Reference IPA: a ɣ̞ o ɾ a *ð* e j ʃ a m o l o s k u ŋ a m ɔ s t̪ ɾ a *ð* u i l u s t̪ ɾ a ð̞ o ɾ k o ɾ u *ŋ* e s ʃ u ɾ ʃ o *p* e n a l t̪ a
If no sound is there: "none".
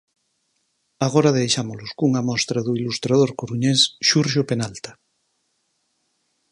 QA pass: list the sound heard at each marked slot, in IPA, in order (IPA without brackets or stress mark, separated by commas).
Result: ð, ð, ɲ, p